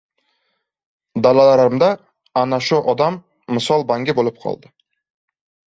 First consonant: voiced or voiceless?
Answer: voiced